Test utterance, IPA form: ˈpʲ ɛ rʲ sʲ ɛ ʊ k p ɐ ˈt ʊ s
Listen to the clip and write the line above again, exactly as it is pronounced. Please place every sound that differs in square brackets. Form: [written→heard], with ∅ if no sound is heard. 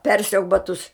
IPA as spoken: ˈpʲ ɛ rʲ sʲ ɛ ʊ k [p→b] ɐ ˈt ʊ s